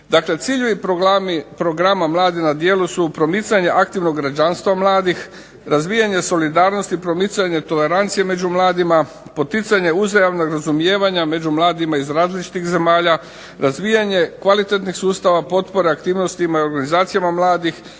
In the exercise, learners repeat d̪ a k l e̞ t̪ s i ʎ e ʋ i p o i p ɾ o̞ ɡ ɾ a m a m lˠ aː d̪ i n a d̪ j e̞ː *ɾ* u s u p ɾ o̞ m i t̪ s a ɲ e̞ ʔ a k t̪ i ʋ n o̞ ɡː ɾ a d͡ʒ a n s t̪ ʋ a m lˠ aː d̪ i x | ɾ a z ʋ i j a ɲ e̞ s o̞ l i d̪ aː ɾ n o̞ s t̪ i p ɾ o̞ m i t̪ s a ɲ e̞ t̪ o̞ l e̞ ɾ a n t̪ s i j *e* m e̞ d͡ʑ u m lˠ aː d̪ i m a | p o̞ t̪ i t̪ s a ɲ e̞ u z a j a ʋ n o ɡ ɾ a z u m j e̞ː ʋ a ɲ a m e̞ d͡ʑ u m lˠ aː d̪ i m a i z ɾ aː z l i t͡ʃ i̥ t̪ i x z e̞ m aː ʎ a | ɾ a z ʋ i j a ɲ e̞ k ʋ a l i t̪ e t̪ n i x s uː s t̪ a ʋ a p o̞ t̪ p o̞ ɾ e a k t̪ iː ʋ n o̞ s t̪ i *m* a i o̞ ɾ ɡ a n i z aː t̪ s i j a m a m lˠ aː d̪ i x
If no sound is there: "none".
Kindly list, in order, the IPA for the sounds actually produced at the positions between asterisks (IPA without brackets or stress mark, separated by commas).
l, e, m